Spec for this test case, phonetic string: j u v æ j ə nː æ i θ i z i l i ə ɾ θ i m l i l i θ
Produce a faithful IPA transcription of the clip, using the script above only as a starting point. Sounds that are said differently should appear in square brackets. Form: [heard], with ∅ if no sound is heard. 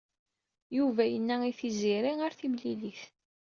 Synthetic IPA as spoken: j u v æ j ə nː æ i θ i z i [ɾ] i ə ɾ θ i m l i l i θ